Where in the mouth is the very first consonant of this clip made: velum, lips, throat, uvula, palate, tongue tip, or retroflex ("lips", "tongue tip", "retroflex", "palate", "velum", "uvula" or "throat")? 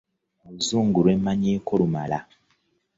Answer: tongue tip